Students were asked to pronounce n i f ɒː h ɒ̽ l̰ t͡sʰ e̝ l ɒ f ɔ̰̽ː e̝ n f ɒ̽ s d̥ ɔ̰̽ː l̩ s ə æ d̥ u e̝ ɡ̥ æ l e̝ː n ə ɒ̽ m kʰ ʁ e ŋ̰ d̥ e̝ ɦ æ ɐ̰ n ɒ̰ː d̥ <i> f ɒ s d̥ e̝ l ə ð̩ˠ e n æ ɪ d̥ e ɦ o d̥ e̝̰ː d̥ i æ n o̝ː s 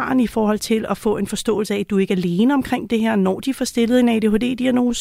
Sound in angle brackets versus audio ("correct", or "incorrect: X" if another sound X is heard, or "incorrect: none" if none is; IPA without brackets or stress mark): correct